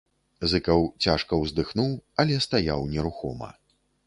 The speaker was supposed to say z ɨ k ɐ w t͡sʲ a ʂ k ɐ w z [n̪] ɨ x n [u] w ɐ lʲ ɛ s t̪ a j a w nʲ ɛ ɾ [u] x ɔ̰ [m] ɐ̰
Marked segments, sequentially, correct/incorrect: incorrect: d̪, correct, correct, correct

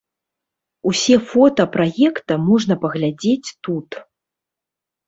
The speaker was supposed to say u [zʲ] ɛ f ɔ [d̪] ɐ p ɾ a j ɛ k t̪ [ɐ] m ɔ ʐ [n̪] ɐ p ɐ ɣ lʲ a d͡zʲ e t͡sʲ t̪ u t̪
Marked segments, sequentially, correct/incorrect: incorrect: sʲ, incorrect: t̪, correct, correct

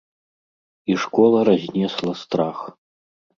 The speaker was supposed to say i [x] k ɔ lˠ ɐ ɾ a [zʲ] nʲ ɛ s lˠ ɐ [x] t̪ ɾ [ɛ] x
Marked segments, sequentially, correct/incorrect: incorrect: ʂ, correct, incorrect: s, incorrect: a

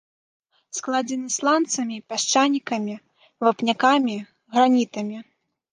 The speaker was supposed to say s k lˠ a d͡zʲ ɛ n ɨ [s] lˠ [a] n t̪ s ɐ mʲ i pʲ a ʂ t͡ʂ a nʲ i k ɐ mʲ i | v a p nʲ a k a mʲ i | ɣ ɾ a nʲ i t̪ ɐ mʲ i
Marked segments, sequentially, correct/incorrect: correct, correct

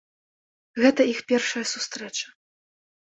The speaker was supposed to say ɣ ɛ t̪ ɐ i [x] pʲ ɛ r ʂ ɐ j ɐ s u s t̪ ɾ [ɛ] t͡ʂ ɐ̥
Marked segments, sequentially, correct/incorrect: correct, correct

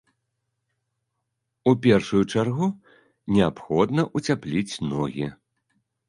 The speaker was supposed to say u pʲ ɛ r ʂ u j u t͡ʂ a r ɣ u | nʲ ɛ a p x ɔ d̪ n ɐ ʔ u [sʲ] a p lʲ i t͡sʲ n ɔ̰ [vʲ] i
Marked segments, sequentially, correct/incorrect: incorrect: t͡sʲ, incorrect: ɣʲ

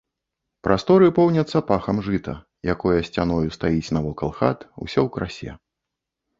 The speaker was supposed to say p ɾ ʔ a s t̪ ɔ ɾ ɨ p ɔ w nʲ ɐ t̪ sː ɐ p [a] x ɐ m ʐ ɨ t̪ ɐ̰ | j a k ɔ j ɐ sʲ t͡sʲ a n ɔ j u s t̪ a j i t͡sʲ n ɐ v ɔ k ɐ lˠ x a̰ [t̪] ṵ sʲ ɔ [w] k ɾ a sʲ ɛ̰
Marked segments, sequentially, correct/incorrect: correct, correct, correct

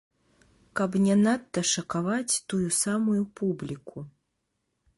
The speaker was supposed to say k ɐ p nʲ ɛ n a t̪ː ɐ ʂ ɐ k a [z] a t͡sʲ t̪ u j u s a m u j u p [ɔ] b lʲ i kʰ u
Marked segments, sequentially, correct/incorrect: incorrect: v, incorrect: u

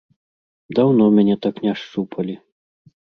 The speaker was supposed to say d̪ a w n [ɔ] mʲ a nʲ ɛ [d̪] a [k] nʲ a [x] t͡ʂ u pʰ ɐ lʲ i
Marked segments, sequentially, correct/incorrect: correct, incorrect: t̪, correct, incorrect: ʂ

